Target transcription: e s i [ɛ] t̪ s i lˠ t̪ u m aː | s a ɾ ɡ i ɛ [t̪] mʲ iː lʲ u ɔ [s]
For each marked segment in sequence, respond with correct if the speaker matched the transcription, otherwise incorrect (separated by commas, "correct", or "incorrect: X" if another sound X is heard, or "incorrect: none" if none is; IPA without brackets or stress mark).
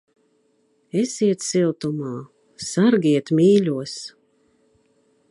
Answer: correct, correct, correct